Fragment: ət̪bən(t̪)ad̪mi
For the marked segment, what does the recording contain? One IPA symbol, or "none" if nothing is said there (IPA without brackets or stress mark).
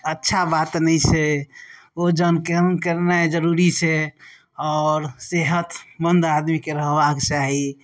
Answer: d̪